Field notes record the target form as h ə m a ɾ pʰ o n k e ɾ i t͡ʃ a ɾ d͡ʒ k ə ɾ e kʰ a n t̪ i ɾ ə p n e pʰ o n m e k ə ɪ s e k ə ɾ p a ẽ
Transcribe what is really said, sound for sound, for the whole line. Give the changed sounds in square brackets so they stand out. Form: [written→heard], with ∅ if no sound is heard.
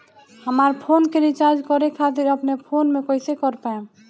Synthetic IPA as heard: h ə m a ɾ pʰ o n k e ɾ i t͡ʃ a ɾ d͡ʒ k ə ɾ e kʰ a [n→∅] t̪ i ɾ ə p n e pʰ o n m e k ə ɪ s e k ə ɾ p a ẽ

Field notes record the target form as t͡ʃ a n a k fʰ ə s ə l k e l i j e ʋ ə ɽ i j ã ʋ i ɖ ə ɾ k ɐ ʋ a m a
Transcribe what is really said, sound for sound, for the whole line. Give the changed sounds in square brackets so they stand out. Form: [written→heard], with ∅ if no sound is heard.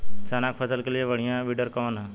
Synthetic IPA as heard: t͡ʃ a n a k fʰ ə s ə l k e l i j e ʋ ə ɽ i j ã ʋ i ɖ ə ɾ k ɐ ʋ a [m→n] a

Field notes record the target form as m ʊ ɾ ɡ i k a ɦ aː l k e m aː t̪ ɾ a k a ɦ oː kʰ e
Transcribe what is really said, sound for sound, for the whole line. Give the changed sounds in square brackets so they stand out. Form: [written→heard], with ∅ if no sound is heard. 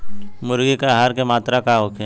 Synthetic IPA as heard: m ʊ ɾ ɡ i k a ɦ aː [l→ɾ] k e m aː t̪ ɾ a k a ɦ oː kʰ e

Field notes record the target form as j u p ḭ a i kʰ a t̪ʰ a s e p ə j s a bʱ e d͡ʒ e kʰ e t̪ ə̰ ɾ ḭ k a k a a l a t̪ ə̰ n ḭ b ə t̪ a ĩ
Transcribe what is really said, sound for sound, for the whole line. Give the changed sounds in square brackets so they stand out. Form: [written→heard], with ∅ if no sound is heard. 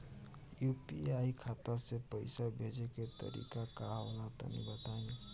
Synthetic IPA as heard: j u p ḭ a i kʰ a [t̪ʰ→t̪] a s e p ə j s a bʱ e d͡ʒ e [kʰ→k] e t̪ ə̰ ɾ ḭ k a k a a l a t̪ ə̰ n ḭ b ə t̪ a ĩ

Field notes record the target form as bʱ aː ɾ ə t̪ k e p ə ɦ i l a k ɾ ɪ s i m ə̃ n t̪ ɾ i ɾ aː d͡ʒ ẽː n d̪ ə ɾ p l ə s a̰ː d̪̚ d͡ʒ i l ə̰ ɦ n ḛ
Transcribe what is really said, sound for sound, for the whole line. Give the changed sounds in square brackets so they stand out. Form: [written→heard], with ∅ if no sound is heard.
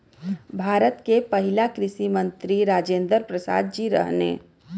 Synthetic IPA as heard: bʱ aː ɾ ə t̪ k e p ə ɦ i l a k ɾ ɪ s i m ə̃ n t̪ ɾ i ɾ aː d͡ʒ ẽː n d̪ ə ɾ p [l→ɾ] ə s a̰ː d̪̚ d͡ʒ i [l→ɾ] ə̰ ɦ n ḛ

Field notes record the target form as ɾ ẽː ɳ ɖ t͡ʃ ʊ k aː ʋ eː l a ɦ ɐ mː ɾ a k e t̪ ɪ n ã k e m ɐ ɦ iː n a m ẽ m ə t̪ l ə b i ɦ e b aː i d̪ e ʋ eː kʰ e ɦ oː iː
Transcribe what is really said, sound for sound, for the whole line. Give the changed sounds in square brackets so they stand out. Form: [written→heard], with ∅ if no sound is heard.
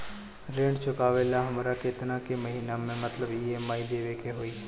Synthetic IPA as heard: ɾ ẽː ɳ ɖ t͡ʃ ʊ k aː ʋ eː l a ɦ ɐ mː ɾ a k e t̪ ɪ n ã k e m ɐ ɦ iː n a m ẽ m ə t̪ l ə b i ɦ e [b→m] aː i d̪ e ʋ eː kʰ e ɦ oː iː

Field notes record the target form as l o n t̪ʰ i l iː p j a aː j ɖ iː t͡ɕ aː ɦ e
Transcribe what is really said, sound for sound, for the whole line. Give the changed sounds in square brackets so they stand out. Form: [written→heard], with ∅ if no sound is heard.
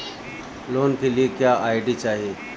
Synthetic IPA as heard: l o n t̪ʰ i l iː [p→k] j a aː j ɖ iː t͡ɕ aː ɦ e

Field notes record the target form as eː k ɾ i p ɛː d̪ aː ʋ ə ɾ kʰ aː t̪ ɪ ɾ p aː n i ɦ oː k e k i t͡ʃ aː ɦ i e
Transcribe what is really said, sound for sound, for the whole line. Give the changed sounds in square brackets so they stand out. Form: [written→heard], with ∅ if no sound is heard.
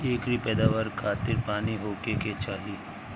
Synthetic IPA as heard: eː k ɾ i p ɛː d̪ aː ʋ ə ɾ kʰ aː t̪ ɪ ɾ p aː n i ɦ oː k e k [i→e] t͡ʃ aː ɦ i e

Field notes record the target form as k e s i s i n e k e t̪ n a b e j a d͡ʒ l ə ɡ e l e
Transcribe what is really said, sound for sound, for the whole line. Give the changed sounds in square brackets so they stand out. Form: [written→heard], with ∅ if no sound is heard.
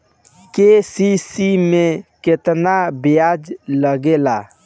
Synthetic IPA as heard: k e s i s i [n→m] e k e t̪ n a b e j a d͡ʒ l ə ɡ e l [e→a]

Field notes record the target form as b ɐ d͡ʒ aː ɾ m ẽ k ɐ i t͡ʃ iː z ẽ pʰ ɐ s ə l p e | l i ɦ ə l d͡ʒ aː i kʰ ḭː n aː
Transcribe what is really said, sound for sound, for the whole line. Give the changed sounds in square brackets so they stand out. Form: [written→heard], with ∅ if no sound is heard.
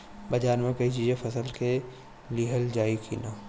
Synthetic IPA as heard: b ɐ d͡ʒ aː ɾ m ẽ k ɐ i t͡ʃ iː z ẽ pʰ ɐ s ə l [p→k] e | l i ɦ ə l d͡ʒ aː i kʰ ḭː n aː

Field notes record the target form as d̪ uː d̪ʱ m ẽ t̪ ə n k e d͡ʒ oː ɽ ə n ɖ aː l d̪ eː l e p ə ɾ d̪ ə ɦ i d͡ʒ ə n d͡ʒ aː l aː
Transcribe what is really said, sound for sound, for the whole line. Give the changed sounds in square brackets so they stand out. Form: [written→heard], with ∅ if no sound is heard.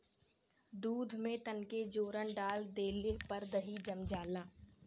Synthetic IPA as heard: d̪ uː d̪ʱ m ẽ t̪ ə n k e d͡ʒ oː [ɽ→ɾ] ə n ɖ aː l d̪ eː l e p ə ɾ d̪ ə ɦ i d͡ʒ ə [n→m] d͡ʒ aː l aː

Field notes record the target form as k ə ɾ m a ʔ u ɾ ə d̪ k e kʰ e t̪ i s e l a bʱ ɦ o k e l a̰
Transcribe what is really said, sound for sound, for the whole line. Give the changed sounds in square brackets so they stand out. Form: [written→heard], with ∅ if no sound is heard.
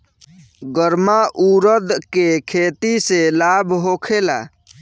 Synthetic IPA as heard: [k→ɡ] ə ɾ m a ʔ u ɾ ə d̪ k e kʰ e t̪ i s e l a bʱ ɦ o [k→kʰ] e l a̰

